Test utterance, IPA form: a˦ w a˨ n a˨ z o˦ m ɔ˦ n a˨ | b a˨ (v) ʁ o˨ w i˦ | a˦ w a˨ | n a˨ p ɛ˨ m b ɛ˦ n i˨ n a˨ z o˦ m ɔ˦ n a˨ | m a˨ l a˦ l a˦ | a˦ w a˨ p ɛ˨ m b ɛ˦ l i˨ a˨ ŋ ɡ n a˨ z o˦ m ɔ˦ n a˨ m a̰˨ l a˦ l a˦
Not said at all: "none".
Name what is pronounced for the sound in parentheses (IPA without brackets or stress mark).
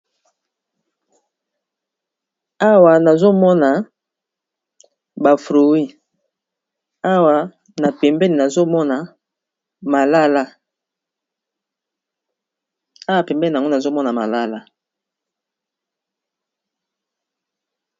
f